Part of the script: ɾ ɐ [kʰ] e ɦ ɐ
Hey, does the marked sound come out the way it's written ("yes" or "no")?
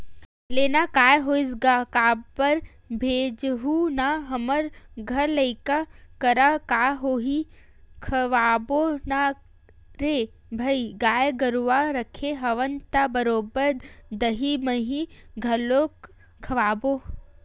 yes